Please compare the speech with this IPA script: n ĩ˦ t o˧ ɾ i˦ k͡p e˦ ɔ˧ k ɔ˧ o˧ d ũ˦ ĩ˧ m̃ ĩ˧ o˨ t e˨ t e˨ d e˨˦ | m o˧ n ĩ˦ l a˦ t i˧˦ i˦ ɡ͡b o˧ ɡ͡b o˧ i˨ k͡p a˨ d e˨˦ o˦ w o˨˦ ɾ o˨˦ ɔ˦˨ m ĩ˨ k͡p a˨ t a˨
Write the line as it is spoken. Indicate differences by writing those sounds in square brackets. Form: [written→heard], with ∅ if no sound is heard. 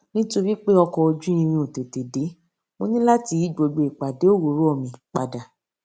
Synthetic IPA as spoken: n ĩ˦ t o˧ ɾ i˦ k͡p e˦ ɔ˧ k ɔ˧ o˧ [d→d͡ʒ] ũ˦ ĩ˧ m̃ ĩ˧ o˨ t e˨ t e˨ d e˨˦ | m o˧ n ĩ˦ l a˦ t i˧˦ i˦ ɡ͡b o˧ ɡ͡b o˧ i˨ k͡p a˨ d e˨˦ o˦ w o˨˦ ɾ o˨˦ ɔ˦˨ m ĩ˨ k͡p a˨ [t→d] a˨